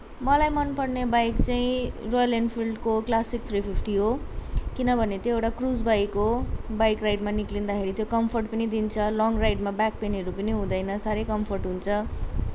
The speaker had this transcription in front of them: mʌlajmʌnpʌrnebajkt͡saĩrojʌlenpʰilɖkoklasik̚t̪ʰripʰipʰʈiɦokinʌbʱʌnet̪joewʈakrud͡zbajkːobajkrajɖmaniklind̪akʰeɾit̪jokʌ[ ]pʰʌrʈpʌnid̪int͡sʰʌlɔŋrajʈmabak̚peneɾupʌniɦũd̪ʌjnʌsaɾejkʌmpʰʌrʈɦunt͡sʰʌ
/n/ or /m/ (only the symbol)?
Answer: m